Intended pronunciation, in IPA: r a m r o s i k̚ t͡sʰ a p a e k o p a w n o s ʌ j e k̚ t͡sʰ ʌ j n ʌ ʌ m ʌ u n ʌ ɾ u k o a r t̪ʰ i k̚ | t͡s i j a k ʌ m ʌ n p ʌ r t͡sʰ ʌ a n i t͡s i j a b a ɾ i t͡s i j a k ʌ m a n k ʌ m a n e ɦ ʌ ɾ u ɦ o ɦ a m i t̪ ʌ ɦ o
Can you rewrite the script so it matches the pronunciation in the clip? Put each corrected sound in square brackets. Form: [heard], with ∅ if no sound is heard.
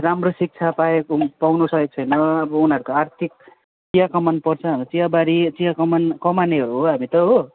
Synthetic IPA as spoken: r a m r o s i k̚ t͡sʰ a p a e k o p a w n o s ʌ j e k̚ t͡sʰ ʌ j n ʌ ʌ [b] ʌ u n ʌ ɾ u k o a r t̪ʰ i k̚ | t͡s i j a k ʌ m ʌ n p ʌ r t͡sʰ ʌ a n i t͡s i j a b a ɾ i t͡s i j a k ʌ m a n k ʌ m a n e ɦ ʌ ɾ u ɦ o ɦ a m i t̪ ʌ ɦ o